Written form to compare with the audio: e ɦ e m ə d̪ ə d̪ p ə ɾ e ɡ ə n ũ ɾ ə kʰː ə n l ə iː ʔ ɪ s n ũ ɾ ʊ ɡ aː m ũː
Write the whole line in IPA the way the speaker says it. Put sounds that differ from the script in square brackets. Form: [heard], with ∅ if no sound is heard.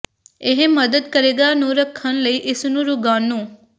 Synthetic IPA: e ɦ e m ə d̪ ə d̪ [k] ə ɾ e ɡ [a] n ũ ɾ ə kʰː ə n l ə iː ʔ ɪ s n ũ ɾ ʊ ɡ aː [n] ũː

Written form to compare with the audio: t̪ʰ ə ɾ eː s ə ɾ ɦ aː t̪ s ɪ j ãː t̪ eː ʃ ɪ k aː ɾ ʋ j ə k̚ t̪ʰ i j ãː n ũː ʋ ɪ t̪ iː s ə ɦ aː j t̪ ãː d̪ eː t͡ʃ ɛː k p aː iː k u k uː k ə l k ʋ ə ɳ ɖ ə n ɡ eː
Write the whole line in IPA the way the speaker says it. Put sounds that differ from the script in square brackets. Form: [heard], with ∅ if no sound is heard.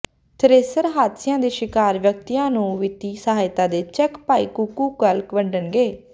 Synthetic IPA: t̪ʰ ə ɾ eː s ə ɾ ɦ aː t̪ s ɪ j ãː [d̪] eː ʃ ɪ k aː ɾ ʋ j ə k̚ [t̪] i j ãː n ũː ʋ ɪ t̪ iː s ə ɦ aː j t̪ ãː d̪ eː t͡ʃ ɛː k p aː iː k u k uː k ə l k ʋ ə ɳ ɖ ə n ɡ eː

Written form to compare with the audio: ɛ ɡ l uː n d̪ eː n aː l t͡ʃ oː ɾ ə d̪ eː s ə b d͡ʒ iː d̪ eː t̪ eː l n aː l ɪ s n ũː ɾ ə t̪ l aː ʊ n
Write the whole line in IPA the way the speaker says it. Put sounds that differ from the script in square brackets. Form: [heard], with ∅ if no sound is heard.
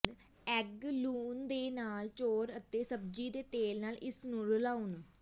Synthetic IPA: ɛ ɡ l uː n d̪ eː n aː l t͡ʃ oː ɾ ə [t̪] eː s ə b d͡ʒ iː d̪ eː t̪ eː l n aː l ɪ s n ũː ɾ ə [∅] l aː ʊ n

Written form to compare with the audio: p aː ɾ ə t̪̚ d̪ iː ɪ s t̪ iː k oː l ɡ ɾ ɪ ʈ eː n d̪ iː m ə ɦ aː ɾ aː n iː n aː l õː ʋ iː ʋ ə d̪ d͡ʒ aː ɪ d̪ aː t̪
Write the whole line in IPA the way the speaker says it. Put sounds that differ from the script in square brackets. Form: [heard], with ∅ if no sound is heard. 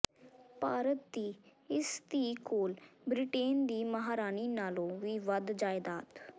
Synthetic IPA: p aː ɾ ə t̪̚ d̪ iː ɪ s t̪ iː k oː l [b] ɾ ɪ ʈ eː n d̪ iː m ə ɦ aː ɾ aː n iː n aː l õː ʋ iː ʋ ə d̪ d͡ʒ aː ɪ d̪ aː t̪

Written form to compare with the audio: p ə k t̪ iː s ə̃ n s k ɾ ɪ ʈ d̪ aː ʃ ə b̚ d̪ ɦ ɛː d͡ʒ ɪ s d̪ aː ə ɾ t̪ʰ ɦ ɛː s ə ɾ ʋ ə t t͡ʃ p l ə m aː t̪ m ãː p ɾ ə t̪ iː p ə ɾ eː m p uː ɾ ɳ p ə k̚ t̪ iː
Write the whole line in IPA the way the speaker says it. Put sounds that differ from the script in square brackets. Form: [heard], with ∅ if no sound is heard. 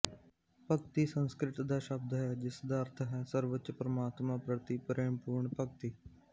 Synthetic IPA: p ə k t̪ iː s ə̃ n s k ɾ ɪ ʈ d̪ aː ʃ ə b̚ d̪ ɦ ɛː d͡ʒ ɪ s d̪ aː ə ɾ t̪ʰ ɦ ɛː s ə ɾ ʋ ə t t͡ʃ p [ɾ] ə m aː t̪ m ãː p ɾ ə t̪ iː p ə ɾ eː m p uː ɾ ɳ p ə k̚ t̪ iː

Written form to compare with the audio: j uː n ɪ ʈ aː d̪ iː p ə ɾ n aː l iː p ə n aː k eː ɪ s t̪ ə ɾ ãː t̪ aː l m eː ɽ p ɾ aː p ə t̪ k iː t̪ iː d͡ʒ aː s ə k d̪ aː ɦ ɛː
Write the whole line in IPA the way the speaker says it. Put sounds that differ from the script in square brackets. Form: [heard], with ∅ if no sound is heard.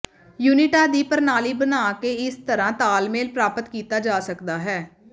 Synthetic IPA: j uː n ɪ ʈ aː d̪ iː p ə ɾ n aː l iː [b] ə n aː k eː ɪ s t̪ ə ɾ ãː t̪ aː l m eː [l] p ɾ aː p ə t̪ k iː t̪ [aː] d͡ʒ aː s ə k d̪ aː ɦ ɛː

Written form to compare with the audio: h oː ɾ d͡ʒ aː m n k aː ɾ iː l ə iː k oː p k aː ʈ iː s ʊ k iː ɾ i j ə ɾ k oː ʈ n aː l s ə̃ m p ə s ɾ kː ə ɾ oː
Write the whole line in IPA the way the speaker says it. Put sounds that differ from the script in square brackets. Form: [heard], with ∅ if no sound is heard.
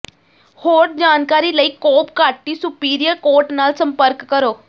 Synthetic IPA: h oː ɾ d͡ʒ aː [∅] n k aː ɾ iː l ə iː k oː p k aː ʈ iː s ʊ [p] iː ɾ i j ə ɾ k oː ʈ n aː l s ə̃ m p ə [∅] ɾ kː ə ɾ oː

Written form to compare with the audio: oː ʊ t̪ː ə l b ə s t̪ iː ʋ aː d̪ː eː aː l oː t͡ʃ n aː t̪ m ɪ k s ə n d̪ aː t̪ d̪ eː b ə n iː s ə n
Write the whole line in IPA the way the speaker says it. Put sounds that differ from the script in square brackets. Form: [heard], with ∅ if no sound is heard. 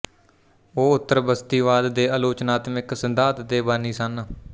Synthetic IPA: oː ʊ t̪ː ə [ɾ] b ə s t̪ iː ʋ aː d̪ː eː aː l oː t͡ʃ n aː t̪ m ɪ k s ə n d̪ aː t̪ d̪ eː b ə n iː s ə n

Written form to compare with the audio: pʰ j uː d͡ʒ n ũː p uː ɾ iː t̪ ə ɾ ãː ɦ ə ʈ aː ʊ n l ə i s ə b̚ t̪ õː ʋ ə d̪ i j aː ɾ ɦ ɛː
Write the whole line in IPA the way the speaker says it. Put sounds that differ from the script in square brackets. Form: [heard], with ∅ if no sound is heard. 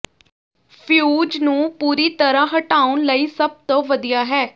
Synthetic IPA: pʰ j uː d͡ʒ n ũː p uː ɾ iː t̪ ə ɾ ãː ɦ ə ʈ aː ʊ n l ə [iː] s ə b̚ t̪ õː ʋ ə d̪ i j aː [∅] ɦ ɛː

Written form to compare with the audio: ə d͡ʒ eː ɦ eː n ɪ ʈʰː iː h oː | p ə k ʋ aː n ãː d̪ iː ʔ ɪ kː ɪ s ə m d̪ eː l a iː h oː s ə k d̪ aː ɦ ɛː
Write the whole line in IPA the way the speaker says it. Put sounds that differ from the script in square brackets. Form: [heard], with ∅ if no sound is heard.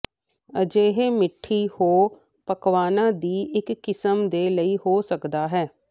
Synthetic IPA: ə d͡ʒ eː ɦ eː [m] ɪ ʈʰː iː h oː | p ə k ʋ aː n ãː d̪ iː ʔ ɪ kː ɪ s ə m d̪ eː l [ə] iː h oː s ə k d̪ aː ɦ ɛː

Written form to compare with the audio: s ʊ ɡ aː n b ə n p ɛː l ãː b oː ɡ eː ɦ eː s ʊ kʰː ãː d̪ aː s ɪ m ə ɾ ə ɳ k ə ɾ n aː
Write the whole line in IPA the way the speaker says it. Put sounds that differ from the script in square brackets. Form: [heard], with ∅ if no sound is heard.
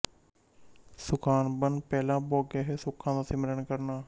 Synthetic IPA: s ʊ [k] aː n b ə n p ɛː l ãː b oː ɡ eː ɦ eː s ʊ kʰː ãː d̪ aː s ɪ m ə ɾ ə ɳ k ə ɾ n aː

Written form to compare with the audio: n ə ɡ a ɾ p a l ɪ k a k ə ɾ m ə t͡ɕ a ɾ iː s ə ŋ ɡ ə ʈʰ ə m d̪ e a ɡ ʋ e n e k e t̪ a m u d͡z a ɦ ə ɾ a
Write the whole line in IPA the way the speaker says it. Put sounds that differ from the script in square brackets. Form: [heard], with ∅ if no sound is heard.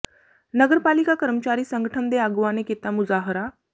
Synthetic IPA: n ə ɡ [ə] ɾ p a l [i] k a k ə ɾ m ə t͡ɕ a ɾ iː s ə ŋ ɡ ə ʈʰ ə m d̪ e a ɡ ʋ [a] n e k e t̪ a m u d͡z a ɦ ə ɾ a

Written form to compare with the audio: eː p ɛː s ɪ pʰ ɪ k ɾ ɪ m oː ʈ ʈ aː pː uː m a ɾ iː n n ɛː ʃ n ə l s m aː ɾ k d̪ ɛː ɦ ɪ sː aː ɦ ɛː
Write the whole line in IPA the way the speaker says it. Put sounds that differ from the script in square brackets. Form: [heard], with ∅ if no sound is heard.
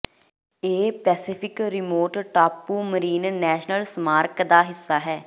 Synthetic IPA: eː p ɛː s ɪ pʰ ɪ k ɾ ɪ m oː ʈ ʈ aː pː uː m [ə] ɾ iː n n ɛː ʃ n ə l s m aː ɾ k d̪ [aː] ɦ ɪ sː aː ɦ ɛː

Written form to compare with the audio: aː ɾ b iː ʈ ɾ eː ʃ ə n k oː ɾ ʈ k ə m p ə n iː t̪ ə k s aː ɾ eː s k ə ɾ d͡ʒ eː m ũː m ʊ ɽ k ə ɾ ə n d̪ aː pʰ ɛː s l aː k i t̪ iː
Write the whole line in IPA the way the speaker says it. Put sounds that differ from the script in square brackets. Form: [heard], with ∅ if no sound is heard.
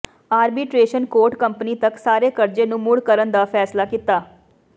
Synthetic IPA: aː ɾ b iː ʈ ɾ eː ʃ ə n k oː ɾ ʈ k ə m p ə n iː t̪ ə k s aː ɾ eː [∅] k ə ɾ d͡ʒ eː [n] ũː m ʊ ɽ k ə ɾ ə n d̪ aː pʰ ɛː s l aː k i t̪ [aː]

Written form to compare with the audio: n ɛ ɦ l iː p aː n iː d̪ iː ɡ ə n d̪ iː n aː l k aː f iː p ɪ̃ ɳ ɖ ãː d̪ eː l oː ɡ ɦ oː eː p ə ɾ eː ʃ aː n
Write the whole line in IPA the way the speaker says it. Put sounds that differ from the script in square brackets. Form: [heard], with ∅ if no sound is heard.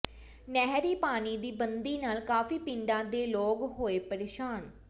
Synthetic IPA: n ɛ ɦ [ɾ] iː p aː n iː d̪ iː [b] ə n d̪ iː n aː l k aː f iː p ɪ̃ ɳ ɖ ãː d̪ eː l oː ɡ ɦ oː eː p ə ɾ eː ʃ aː n

